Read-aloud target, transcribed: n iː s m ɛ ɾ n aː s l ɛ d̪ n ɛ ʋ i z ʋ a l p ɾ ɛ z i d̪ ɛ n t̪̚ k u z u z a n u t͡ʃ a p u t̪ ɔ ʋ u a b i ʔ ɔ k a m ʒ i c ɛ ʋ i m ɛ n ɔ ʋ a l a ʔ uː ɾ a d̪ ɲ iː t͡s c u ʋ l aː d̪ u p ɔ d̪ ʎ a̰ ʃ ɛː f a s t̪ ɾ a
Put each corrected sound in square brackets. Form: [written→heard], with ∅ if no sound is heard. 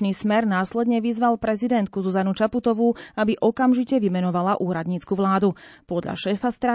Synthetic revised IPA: n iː s m ɛ ɾ n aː s l ɛ d̪ [n→ɲ] ɛ ʋ i z ʋ a l p ɾ ɛ z i d̪ ɛ n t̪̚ k u z u z a n u t͡ʃ a p u t̪ ɔ ʋ u a b i ʔ ɔ k a m ʒ i c ɛ ʋ i m ɛ n ɔ ʋ a l a ʔ uː ɾ a d̪ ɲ iː t͡s [c→k] u ʋ l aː d̪ u p ɔ d̪ ʎ a̰ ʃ ɛː f a s t̪ ɾ a